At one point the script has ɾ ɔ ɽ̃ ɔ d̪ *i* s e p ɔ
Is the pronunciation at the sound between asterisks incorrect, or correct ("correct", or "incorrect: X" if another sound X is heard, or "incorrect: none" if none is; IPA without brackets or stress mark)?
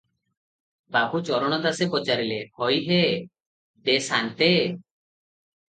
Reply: incorrect: a